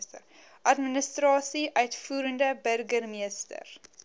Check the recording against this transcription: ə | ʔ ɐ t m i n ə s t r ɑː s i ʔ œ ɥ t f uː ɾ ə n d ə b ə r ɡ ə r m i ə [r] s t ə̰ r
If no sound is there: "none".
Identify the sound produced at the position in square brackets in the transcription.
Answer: none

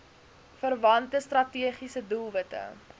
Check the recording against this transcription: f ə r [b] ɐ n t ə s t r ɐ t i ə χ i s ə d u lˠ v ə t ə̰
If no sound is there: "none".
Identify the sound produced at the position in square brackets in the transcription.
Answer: v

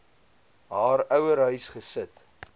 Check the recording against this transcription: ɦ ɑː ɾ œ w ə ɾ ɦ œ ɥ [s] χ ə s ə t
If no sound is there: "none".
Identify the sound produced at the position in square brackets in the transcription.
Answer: s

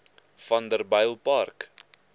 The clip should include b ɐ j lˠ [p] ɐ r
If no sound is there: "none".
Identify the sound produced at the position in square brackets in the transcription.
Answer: p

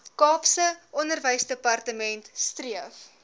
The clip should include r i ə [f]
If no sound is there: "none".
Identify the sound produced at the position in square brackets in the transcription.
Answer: f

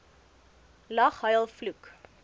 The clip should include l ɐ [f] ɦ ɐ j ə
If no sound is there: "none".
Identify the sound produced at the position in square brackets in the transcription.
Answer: χ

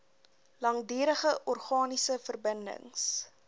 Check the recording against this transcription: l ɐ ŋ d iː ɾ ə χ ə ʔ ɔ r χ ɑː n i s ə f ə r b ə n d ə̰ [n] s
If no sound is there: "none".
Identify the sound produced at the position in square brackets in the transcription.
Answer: ŋ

